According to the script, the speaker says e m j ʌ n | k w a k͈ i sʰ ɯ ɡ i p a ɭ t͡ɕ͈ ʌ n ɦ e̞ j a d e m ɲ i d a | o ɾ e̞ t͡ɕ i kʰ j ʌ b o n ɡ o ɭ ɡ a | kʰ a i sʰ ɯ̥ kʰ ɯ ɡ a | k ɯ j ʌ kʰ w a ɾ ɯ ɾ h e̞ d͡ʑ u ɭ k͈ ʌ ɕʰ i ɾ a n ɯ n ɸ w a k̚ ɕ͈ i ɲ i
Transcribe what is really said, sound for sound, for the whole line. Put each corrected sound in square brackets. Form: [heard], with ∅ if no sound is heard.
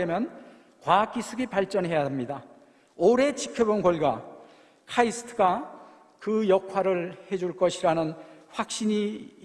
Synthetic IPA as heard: e m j ʌ n | k w a k͈ i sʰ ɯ ɡ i p a ɭ t͡ɕ͈ ʌ n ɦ e̞ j a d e m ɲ i d a | o ɾ e̞ t͡ɕ i kʰ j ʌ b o n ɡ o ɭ ɡ a | kʰ a i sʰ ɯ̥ [tʰ] ɯ ɡ a | k ɯ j ʌ kʰ w a ɾ ɯ [ɭ] h e̞ d͡ʑ u ɭ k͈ ʌ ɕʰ i ɾ a n ɯ n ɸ w a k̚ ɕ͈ i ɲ i